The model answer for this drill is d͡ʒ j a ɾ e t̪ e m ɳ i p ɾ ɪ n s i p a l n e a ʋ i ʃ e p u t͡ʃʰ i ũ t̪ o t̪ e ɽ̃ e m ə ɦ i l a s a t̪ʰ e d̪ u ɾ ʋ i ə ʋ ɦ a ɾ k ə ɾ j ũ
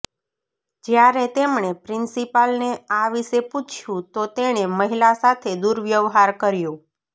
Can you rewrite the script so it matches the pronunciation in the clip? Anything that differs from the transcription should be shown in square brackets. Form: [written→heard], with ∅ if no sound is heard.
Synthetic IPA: d͡ʒ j a ɾ e t̪ e m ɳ [i→e] p ɾ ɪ n s i p a l n e a ʋ i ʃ e p u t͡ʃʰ [i→j] ũ t̪ o t̪ e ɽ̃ e m ə ɦ i l a s a t̪ʰ e d̪ u ɾ ʋ [i→j] ə ʋ ɦ a ɾ k ə ɾ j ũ

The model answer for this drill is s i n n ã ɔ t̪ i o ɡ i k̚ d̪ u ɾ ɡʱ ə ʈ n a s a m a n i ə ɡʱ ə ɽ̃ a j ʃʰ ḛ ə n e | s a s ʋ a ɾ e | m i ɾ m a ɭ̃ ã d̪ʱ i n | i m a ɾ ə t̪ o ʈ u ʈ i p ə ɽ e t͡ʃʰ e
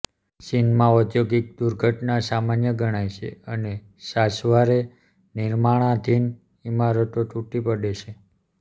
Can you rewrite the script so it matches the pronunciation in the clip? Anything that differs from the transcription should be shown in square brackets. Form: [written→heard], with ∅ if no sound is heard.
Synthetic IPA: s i n [n→m] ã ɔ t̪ [i→j] o ɡ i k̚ d̪ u ɾ ɡʱ ə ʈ n a s a m a n [i→j] ə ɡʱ ə ɽ̃ a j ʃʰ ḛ ə n e | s a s ʋ a ɾ e | [m→n] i ɾ m a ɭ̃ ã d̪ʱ i n | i m a ɾ ə t̪ o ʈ u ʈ i p ə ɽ e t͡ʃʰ e

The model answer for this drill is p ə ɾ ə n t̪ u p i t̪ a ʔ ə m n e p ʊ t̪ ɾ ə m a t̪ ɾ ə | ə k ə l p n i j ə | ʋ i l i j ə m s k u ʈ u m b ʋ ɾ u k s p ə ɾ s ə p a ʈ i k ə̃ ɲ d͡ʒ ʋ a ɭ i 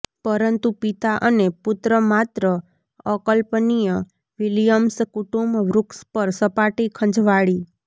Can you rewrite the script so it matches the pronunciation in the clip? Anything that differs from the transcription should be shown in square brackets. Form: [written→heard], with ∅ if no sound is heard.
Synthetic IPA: p ə ɾ ə n t̪ u p i t̪ a ʔ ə [m→∅] n e p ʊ t̪ ɾ ə m a t̪ ɾ ə | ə k ə l p n i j ə | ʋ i l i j ə m s k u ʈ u m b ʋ ɾ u k s p ə ɾ s ə p a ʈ i [k→kʰ] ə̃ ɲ d͡ʒ ʋ a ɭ i

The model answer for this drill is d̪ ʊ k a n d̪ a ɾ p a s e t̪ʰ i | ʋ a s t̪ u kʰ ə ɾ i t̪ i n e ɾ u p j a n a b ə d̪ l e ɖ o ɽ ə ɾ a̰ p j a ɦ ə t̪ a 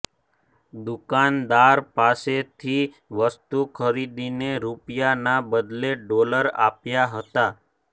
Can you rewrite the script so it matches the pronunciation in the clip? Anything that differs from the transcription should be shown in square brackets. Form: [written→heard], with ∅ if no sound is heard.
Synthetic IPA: d̪ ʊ k a n d̪ a ɾ p a s e t̪ʰ i | ʋ [a→ə] s t̪ u kʰ ə ɾ i [t̪→d̪] i n e ɾ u p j a n a b ə d̪ l e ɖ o [ɽ→l] ə ɾ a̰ p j a ɦ ə t̪ a

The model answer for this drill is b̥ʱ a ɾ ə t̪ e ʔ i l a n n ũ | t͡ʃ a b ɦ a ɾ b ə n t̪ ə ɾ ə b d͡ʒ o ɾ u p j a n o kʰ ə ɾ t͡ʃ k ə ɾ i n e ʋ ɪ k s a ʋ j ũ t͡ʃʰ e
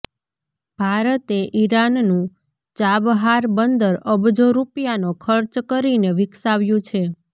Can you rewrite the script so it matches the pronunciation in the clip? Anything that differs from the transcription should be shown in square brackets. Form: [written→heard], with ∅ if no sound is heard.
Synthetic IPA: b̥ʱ a ɾ ə t̪ e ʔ i [l→ɾ] a n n ũ | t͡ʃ a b ɦ a ɾ b ə n [t̪→d̪] ə ɾ ə b d͡ʒ o ɾ u p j a n o kʰ ə ɾ t͡ʃ k ə ɾ i n e ʋ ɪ k s a ʋ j ũ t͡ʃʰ e

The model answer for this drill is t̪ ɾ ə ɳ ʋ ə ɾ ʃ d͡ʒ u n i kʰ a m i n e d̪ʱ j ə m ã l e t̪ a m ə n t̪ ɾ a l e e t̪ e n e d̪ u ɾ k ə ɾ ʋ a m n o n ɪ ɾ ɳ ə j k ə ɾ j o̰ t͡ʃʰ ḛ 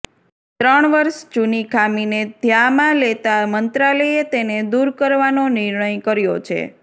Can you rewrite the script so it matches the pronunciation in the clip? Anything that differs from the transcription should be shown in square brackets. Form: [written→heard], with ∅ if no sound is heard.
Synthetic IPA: t̪ ɾ ə ɳ ʋ ə ɾ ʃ d͡ʒ u n i kʰ a m i n e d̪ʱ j [ə→a] m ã l e t̪ a m ə n t̪ ɾ a l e e t̪ e n e d̪ u ɾ k ə ɾ ʋ a [m→∅] n o n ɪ ɾ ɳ ə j k ə ɾ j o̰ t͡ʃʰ ḛ

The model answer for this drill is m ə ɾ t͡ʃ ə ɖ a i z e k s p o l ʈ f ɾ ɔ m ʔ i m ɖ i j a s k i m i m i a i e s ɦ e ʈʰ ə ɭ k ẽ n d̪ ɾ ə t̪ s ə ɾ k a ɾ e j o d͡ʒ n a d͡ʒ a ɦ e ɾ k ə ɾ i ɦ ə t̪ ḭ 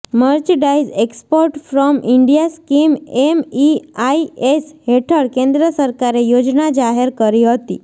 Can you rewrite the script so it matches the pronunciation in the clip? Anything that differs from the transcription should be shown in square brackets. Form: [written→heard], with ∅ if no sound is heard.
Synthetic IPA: m ə ɾ t͡ʃ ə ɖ a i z e k s p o [l→ɾ] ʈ f ɾ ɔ m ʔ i [m→ɳ] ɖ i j a s k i m [i→e] m i a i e s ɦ e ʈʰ ə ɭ k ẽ n d̪ ɾ ə [t̪→∅] s ə ɾ k a ɾ e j o d͡ʒ n a d͡ʒ a ɦ e ɾ k ə ɾ i ɦ ə t̪ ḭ

